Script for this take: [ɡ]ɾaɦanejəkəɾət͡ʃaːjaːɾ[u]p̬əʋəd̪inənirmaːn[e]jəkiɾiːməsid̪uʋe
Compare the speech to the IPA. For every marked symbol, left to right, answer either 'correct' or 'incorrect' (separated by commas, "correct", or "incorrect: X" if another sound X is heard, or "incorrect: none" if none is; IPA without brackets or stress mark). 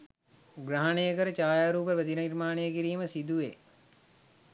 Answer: correct, incorrect: uː, correct